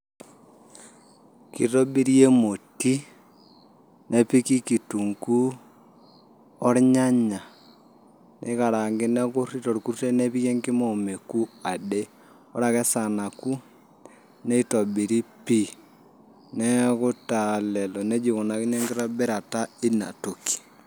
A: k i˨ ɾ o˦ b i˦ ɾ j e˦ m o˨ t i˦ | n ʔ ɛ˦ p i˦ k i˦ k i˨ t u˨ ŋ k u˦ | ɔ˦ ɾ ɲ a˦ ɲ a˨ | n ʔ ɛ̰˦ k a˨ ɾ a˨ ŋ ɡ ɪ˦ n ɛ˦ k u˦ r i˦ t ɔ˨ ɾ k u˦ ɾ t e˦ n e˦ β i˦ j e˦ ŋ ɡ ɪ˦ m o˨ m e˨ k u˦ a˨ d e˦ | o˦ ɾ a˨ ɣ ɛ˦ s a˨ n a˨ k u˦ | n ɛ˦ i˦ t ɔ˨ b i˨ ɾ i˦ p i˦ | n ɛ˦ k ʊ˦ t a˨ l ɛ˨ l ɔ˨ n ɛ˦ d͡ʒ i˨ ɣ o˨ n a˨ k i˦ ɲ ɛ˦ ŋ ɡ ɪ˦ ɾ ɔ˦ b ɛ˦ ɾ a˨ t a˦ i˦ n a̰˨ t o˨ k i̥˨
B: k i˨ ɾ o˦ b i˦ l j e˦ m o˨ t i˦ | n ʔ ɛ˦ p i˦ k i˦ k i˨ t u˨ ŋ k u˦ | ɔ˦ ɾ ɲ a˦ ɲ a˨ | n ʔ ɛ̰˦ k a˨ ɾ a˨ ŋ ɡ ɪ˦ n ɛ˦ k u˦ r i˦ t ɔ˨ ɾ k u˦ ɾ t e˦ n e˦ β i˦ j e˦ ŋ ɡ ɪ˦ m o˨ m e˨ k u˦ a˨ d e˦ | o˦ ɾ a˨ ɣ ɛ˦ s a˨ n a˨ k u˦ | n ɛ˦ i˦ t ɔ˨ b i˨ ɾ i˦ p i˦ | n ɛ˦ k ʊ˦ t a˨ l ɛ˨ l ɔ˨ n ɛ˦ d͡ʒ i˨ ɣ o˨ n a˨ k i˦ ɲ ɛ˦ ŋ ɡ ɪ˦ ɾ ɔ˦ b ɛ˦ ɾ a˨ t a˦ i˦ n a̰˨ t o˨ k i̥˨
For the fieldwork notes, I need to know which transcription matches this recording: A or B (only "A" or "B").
A